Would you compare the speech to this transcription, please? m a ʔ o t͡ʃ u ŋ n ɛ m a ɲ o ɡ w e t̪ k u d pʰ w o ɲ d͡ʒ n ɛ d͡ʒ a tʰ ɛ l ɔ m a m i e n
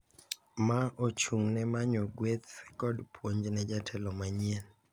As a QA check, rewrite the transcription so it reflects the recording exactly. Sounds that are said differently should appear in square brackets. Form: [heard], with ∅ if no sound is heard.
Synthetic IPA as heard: m a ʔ o t͡ʃ u ŋ n ɛ m a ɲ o ɡ w e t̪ k [ɔ] d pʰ w o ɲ d͡ʒ n ɛ d͡ʒ a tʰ ɛ l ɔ m a [ɲ] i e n